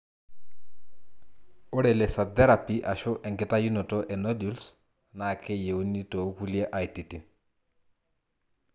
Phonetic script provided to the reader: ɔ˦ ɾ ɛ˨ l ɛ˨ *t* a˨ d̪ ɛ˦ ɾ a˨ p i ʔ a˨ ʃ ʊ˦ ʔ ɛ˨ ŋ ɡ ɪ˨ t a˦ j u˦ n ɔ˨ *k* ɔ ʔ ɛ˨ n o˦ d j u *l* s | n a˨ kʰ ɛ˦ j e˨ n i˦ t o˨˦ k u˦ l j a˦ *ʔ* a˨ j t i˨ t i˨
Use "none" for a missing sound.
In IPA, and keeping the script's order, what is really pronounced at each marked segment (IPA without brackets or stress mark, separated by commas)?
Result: s, t, l, ʔ